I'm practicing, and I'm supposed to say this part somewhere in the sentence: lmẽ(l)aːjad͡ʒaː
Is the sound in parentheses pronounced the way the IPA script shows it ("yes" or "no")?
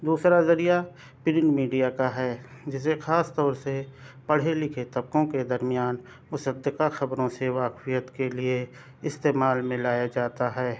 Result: yes